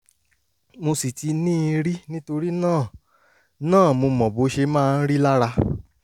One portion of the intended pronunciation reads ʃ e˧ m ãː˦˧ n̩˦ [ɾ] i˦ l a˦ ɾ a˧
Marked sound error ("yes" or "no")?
no